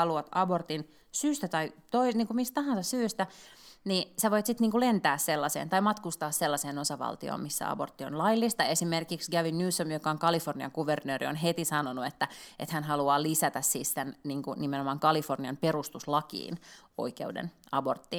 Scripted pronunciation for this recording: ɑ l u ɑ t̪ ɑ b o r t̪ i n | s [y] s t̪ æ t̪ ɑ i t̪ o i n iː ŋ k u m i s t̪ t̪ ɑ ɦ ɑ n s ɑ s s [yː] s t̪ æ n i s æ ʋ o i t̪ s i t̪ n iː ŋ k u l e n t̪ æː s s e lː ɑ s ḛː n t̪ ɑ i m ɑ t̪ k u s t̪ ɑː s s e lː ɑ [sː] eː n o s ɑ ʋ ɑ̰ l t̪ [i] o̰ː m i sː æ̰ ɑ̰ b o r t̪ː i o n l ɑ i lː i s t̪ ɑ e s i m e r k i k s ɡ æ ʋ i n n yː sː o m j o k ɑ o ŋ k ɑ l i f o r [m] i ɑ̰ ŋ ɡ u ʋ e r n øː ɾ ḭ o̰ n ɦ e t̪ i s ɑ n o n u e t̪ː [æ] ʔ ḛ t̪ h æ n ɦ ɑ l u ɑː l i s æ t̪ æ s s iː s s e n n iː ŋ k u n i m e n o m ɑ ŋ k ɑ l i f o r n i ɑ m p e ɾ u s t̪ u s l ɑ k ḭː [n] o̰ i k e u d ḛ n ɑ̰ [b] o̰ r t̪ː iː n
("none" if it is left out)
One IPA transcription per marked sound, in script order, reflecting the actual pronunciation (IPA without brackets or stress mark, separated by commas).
yː, yː, s, i, n, æ, n, b